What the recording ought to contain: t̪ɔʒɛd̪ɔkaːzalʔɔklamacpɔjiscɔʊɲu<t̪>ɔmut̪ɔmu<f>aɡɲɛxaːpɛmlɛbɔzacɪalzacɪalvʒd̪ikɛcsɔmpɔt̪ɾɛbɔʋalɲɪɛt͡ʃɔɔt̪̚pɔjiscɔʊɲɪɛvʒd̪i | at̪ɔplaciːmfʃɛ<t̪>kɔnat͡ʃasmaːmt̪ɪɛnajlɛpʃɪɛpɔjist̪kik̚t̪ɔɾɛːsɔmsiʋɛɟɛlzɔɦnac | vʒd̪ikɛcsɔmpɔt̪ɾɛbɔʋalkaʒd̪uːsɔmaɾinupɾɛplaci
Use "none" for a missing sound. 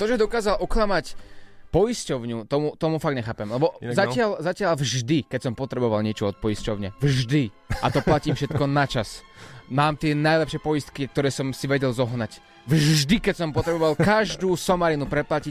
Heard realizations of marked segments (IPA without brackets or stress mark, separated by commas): t̪, f, t̪